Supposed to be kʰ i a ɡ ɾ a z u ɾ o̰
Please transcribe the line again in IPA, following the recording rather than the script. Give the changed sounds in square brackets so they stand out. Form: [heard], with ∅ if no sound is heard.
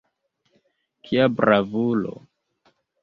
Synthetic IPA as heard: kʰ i a [b] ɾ a [v] u [l] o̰